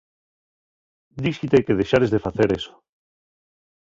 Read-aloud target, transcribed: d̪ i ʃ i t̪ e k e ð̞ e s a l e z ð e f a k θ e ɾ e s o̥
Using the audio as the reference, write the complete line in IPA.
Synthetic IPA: d̪ i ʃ i t̪ e k e ð̞ e ʃ a ɾ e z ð e f a θ e ɾ e s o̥